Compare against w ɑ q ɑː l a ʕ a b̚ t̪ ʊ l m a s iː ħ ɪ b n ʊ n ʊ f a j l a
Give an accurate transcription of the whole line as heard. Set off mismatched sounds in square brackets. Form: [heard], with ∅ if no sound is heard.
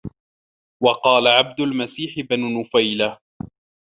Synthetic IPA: w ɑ q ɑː l a ʕ a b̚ [d̪] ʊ l m a s iː ħ ɪ b n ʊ n ʊ f a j l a